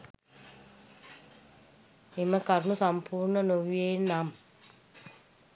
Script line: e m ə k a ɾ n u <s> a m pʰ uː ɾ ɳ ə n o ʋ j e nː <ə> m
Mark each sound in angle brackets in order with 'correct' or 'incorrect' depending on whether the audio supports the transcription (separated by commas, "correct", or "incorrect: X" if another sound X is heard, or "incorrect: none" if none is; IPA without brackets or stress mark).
correct, incorrect: a